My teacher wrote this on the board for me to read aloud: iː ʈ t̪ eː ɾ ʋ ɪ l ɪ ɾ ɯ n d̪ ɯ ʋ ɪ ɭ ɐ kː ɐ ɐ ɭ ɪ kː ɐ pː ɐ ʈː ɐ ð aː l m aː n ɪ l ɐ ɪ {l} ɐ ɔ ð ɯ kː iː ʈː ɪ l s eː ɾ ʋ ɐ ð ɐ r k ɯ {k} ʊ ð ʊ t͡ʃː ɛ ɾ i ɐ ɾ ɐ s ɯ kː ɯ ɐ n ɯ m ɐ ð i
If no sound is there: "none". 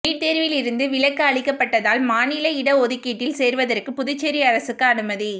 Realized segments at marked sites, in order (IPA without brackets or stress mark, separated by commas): ɽ, p